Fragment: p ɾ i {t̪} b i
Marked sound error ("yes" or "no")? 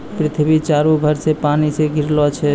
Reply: yes